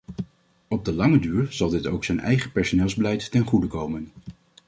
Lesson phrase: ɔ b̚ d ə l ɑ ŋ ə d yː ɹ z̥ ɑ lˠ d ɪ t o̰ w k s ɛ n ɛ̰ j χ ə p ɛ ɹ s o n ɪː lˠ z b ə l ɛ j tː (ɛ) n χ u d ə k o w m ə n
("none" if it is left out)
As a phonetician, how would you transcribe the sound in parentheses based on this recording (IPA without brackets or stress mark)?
ɛ